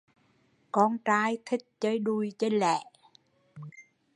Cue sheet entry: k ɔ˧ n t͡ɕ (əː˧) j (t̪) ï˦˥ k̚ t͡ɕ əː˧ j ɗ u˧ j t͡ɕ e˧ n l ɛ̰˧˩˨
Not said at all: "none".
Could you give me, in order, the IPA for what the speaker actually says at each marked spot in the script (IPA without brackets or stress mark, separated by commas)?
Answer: aː˧, t̪ʰ